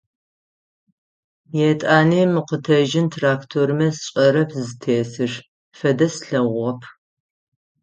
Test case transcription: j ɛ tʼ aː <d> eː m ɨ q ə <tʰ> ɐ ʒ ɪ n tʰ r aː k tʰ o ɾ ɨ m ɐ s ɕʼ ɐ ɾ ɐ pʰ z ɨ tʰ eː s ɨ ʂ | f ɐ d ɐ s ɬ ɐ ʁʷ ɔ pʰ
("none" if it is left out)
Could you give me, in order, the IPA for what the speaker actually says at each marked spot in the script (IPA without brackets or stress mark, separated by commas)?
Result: n, tʰ